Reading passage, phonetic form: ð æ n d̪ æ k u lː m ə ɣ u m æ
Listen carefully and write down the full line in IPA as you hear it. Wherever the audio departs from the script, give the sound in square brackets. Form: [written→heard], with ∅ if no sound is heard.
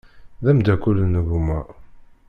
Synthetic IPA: ð æ [n→m] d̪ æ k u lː [m→n] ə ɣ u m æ

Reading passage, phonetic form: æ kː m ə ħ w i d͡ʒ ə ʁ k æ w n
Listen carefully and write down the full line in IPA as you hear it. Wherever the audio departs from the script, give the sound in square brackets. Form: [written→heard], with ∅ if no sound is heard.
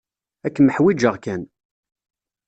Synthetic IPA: æ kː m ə ħ w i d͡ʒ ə ʁ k æ [w→∅] n

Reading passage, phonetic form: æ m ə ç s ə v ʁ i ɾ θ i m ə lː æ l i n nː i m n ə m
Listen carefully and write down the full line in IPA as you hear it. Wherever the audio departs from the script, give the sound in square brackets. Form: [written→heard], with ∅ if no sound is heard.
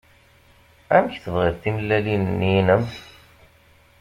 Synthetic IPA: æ m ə ç [s→θ] ə v ʁ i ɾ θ i m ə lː æ l i n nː i [m→∅] n ə m

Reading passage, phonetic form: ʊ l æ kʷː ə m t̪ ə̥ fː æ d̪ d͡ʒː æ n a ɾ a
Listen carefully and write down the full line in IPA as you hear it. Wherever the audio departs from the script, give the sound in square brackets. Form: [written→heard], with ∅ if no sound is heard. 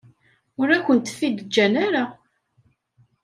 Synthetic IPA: ʊ [l→ɾ] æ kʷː ə [m→n] t̪ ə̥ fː [æ→i] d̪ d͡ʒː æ n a ɾ a

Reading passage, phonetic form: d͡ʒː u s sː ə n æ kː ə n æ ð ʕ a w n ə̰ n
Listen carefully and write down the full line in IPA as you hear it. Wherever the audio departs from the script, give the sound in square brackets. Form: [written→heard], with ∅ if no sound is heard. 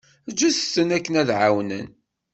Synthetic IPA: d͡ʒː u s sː ə n æ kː ə n æ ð ʕ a w n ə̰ n

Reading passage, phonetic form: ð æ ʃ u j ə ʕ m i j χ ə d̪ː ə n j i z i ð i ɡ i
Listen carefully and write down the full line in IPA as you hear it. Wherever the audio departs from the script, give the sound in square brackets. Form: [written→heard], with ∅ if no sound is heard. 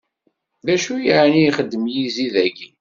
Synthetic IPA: ð æ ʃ u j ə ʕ [m→n] i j χ ə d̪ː ə [n→m] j i z i ð [i→æ] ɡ i

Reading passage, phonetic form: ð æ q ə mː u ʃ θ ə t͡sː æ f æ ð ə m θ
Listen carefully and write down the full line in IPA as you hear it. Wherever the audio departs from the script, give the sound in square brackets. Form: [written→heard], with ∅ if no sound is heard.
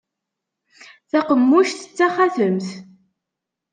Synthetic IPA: [ð→θ] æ q ə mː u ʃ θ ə t͡sː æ [f→χ] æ [ð→θ] ə m θ

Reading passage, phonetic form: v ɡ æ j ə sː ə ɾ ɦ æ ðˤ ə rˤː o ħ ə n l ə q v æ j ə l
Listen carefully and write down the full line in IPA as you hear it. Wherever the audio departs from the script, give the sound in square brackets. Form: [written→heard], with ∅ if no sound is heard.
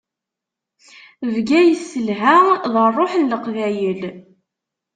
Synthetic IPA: v ɡ æ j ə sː ə [ɾ→l] ɦ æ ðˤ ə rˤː o ħ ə n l ə q v æ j ə l

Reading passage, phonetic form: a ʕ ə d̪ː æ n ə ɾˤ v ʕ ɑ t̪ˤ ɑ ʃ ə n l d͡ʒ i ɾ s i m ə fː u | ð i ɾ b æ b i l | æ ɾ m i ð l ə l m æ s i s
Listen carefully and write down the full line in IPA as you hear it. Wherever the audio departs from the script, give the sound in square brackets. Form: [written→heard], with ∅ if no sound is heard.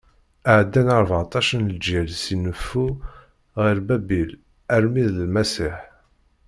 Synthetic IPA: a ʕ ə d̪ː æ n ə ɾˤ v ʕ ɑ t̪ˤ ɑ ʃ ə n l d͡ʒ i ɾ s i [m→n] ə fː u | [ð→ʁ] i ɾ b æ b i l | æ ɾ m i ð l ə l m æ s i [s→ħ]

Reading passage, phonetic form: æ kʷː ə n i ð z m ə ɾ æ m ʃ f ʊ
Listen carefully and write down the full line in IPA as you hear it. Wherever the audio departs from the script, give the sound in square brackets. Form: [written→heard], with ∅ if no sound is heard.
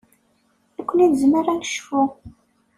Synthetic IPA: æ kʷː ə n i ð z m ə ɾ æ [m→n] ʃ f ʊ

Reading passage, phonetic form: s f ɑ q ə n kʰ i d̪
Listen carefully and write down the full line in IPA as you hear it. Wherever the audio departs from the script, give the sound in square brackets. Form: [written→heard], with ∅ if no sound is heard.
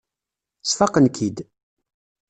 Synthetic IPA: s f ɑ q ə n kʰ i d̪

